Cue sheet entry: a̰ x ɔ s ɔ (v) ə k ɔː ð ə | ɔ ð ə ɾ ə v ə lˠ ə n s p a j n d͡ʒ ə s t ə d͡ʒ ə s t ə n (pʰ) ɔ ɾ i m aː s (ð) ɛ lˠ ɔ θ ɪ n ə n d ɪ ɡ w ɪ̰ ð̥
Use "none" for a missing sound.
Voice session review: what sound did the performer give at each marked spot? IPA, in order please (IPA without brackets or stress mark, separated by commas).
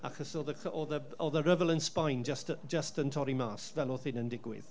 ð, tʰ, v